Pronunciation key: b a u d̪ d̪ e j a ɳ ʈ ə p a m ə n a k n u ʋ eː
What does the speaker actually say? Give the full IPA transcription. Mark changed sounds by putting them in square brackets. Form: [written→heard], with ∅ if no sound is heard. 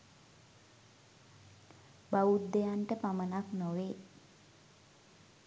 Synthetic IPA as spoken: b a u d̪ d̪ e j a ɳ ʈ ə p a m ə n a k n [u→o] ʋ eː